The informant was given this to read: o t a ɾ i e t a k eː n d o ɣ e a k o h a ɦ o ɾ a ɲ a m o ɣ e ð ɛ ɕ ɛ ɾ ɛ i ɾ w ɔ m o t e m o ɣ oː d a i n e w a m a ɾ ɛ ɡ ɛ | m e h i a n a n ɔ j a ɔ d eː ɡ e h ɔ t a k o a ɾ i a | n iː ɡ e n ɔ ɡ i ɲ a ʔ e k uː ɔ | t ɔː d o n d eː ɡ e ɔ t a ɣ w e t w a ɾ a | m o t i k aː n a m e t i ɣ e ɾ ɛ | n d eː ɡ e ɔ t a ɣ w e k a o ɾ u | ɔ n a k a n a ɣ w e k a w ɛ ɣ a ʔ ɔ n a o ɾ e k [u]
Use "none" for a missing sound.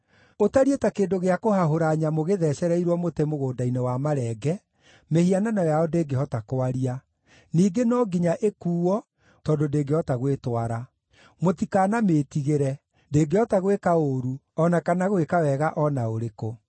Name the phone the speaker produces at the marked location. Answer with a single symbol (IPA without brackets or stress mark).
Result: o